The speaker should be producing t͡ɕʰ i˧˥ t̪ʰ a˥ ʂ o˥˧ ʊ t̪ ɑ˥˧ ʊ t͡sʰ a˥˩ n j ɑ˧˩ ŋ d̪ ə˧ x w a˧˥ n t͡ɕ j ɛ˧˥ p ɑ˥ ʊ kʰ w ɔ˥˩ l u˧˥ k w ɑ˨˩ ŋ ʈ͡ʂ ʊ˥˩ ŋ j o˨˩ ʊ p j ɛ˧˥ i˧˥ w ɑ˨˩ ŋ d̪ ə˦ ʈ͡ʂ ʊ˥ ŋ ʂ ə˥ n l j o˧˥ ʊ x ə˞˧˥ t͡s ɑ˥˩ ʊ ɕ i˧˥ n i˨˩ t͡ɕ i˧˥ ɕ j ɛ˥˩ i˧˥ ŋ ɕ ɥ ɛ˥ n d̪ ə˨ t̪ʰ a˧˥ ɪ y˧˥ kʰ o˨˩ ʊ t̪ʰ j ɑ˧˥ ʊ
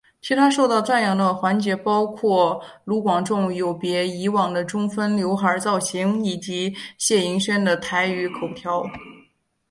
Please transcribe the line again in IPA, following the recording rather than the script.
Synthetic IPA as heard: t͡ɕʰ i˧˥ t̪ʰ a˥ ʂ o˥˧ ʊ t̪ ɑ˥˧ ʊ t͡s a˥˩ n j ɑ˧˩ ŋ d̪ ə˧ x w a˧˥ n t͡ɕ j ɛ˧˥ p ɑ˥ ʊ kʰ w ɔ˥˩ l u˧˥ k w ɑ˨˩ ŋ ʈ͡ʂ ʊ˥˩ ŋ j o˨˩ ʊ p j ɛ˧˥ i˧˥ w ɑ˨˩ ŋ d̪ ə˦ ʈ͡ʂ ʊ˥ ŋ f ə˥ n l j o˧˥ ʊ x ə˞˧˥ t͡s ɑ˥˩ ʊ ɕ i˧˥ ŋ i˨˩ t͡ɕ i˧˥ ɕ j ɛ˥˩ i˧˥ ŋ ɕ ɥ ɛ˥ n d̪ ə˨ t̪ʰ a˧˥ ɪ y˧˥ kʰ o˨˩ ʊ t̪ʰ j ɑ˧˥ ʊ

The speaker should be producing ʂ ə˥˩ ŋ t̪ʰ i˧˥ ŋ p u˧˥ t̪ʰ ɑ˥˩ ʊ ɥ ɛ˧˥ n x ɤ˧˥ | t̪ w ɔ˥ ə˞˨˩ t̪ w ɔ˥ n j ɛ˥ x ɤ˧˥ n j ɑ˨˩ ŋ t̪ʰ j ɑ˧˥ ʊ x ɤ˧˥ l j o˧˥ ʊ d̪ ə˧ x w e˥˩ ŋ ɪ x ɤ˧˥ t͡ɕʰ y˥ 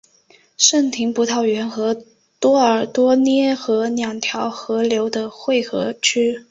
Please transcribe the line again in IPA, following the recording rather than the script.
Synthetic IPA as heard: ʂ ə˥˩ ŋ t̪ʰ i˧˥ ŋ p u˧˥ t̪ʰ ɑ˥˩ ʊ ɥ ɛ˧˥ n x ɤ˧˥ | t̪ w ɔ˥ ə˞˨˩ t̪ w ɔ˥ n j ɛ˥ x ɤ˧˥ n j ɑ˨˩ ŋ t̪ʰ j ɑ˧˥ ʊ x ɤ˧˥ l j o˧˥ ʊ d̪ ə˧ x w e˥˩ ɪ x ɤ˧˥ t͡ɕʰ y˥

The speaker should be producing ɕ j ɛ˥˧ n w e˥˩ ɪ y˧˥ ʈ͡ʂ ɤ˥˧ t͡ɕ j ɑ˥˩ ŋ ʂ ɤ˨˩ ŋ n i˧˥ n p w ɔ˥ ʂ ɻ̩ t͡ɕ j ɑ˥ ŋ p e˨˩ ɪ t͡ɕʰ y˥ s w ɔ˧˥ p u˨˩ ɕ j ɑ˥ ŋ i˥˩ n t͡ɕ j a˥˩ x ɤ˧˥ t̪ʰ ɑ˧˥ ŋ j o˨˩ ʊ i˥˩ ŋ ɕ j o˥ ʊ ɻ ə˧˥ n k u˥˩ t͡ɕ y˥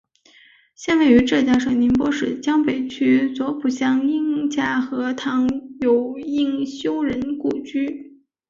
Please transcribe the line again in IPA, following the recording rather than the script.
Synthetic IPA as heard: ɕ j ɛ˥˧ n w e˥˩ ɪ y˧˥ ʈ͡ʂ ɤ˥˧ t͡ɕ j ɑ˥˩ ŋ ʂ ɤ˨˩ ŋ n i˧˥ n p w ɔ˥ ʂ ɻ̩ t͡ɕ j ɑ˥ ŋ p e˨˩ ɪ t͡ɕʰ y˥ t͡s w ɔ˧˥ p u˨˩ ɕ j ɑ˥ ŋ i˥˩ ŋ t͡ɕ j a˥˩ x ɤ˧˥ t̪ʰ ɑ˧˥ ŋ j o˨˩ ʊ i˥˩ ŋ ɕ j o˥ ʊ ɻ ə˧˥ n k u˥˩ t͡ɕ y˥

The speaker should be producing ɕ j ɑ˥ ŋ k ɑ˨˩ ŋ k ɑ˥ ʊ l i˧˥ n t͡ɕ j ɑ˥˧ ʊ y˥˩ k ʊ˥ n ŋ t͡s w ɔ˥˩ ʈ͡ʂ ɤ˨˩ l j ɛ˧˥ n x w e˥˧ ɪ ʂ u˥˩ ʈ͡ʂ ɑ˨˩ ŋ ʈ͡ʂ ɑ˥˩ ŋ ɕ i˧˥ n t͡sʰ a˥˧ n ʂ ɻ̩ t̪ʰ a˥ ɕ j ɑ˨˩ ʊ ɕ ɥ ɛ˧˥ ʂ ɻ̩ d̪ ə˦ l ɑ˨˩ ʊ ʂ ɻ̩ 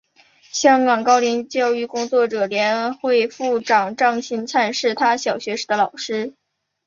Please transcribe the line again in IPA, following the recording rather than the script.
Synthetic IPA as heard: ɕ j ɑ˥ ŋ k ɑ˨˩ ŋ k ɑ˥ ʊ l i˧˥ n t͡ɕ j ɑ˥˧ ʊ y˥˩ k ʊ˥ ŋ t͡s w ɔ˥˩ ʈ͡ʂ ɤ˨˩ l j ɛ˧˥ n x w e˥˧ ɪ f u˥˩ ʈ͡ʂ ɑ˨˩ ŋ ʈ͡ʂ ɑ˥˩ ŋ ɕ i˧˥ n t͡sʰ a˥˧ n ʂ ɻ̩ t̪ʰ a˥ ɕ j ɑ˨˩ ʊ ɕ ɥ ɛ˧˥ ʂ ɻ̩ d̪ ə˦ l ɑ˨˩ ʊ ʂ ɻ̩

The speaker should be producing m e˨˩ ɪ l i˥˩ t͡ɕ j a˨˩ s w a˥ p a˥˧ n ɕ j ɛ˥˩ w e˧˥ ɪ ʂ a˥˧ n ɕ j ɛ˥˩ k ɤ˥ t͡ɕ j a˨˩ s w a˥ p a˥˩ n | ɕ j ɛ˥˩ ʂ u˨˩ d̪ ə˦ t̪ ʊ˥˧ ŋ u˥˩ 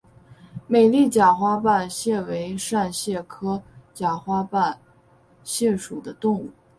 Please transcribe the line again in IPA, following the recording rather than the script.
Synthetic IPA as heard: m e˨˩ ɪ l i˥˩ t͡ɕ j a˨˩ x w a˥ p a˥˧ n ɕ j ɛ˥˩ w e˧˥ ɪ ʂ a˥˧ n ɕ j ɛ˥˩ kʰ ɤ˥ t͡ɕ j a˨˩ x w a˥ p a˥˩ n | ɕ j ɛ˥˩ ʂ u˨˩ d̪ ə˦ t̪ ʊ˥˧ ŋ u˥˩

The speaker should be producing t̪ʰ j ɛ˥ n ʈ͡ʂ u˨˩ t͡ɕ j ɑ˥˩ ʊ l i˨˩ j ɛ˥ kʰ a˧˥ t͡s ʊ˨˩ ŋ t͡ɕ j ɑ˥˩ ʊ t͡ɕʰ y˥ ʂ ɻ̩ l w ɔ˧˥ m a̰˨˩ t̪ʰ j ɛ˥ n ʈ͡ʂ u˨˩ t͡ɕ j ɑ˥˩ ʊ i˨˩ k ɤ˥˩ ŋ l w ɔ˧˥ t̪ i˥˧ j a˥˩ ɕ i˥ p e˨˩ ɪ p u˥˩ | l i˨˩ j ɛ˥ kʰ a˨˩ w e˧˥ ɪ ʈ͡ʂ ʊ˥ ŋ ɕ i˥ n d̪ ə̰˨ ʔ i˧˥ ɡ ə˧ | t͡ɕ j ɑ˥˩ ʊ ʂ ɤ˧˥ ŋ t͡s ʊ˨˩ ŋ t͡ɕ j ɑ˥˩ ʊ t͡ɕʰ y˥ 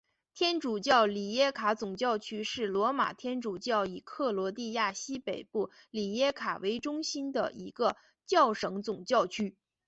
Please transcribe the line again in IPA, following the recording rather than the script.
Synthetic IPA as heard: t̪ʰ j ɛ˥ n ʈ͡ʂ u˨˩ t͡ɕ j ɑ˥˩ ʊ l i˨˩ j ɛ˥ kʰ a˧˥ t͡s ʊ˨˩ ŋ t͡ɕ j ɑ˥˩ ʊ t͡ɕʰ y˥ ʂ ɻ̩ l w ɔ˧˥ m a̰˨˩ t̪ʰ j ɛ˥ n ʈ͡ʂ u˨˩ t͡ɕ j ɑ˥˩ ʊ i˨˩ kʰ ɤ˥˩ l w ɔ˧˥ t̪ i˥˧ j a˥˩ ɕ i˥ p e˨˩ ɪ p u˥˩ | l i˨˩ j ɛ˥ kʰ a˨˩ w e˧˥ ɪ ʈ͡ʂ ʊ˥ ŋ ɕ i˥ n d̪ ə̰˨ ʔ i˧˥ ɡ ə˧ | t͡ɕ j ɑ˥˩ ʊ ʂ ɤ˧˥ ŋ t͡s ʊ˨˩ ŋ t͡ɕ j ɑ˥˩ ʊ t͡ɕʰ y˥

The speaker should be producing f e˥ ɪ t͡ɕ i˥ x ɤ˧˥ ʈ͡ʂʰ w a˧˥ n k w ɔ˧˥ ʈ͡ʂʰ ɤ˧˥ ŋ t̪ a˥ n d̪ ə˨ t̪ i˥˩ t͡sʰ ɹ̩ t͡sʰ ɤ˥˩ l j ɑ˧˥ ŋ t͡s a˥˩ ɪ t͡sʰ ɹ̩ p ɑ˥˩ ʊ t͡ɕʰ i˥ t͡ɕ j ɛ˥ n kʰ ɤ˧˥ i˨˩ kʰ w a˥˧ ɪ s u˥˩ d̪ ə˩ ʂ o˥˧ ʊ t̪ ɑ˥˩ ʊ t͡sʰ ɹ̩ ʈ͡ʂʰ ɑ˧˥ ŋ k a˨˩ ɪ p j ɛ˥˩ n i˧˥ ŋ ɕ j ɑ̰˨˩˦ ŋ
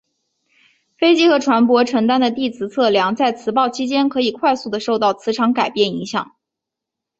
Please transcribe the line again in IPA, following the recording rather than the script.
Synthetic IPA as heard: f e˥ ɪ t͡ɕ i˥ x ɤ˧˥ ʈ͡ʂʰ w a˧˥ n p w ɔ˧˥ ʈ͡ʂʰ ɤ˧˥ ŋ t̪ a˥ n d̪ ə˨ t̪ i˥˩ t͡sʰ ɹ̩ t͡sʰ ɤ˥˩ l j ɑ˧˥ ŋ t͡s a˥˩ ɪ t͡sʰ ɹ̩ p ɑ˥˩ ʊ t͡ɕʰ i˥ t͡ɕ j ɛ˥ n kʰ ɤ˧˥ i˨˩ kʰ w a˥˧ ɪ s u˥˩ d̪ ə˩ ʂ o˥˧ ʊ t̪ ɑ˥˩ ʊ t͡sʰ ɹ̩ ʈ͡ʂʰ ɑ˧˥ ŋ k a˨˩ ɪ p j ɛ˥˩ n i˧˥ ŋ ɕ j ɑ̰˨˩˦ ŋ

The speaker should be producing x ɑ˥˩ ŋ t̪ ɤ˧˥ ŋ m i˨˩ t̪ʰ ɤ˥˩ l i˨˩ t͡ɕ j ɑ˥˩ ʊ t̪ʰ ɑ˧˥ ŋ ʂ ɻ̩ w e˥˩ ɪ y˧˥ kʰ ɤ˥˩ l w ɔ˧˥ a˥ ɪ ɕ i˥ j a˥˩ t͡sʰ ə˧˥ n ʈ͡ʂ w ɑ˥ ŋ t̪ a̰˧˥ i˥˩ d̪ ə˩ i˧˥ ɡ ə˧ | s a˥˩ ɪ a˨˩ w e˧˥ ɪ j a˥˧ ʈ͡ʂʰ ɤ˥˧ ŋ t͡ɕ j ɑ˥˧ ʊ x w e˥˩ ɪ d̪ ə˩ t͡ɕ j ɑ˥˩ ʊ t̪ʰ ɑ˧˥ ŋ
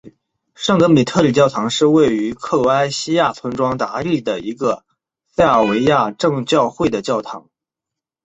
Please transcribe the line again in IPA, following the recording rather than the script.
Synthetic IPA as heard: ʂ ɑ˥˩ ŋ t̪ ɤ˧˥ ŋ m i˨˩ t̪ʰ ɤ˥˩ l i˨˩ t͡ɕ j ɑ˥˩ ʊ t̪ʰ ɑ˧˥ ŋ ʂ ɻ̩ w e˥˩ ɪ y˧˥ kʰ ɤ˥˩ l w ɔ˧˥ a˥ ɪ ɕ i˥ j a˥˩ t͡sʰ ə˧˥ n ʈ͡ʂ w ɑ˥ ŋ t̪ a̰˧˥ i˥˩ d̪ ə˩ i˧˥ ɡ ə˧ | s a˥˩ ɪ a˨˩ w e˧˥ ɪ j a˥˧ ʈ͡ʂ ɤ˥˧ ŋ t͡ɕ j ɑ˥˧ ʊ x w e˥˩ ɪ d̪ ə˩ t͡ɕ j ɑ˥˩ ʊ t̪ʰ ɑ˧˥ ŋ

